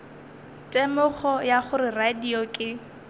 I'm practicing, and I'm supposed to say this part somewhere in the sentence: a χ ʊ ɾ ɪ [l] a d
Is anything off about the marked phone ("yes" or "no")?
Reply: yes